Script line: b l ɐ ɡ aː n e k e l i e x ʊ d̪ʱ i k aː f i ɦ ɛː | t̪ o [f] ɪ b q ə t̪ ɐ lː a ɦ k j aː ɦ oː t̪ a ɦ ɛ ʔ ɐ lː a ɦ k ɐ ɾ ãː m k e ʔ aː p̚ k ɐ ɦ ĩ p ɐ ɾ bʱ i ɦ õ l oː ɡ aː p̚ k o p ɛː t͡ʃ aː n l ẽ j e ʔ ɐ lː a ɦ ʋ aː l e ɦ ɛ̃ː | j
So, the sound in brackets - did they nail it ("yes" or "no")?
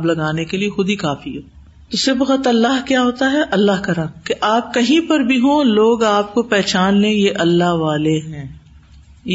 no